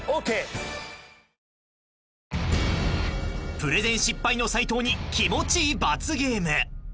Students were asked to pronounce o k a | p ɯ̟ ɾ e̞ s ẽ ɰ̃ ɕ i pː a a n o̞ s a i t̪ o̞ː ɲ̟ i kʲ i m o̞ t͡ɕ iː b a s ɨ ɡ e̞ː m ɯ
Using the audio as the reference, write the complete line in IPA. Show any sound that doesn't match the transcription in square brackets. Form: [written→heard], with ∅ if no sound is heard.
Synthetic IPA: o k [a→e] | p ɯ̟ ɾ e̞ [s→z] ẽ ɰ̃ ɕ i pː a [a→i] n o̞ s a i t̪ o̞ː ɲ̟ i kʲ i m o̞ t͡ɕ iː b a [s→t͡s] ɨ ɡ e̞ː m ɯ